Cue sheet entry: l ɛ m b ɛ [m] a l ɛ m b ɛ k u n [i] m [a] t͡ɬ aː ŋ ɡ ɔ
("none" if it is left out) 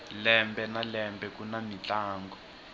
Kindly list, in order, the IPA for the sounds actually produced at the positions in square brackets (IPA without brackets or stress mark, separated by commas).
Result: n, a, i